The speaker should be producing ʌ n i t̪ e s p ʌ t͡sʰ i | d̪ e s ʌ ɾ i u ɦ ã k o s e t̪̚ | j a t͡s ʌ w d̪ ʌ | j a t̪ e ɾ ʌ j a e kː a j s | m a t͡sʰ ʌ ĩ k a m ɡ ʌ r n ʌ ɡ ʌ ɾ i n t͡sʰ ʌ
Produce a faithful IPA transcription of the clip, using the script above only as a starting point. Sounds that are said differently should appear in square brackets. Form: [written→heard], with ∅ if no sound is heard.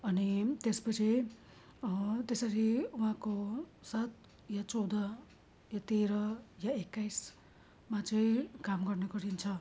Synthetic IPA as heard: ʌ n i t̪ e s p ʌ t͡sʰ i | [d̪→t̪] e s ʌ ɾ i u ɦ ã k o s [e→a] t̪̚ | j a t͡s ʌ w d̪ ʌ | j a t̪ e ɾ ʌ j a e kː a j s | m a [t͡sʰ→t͡s] ʌ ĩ k a m ɡ ʌ r n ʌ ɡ ʌ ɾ i n t͡sʰ ʌ